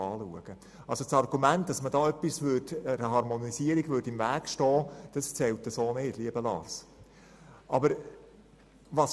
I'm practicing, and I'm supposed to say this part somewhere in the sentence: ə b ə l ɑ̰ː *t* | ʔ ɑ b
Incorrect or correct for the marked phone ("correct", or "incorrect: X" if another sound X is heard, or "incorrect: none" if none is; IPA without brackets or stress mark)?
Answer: incorrect: s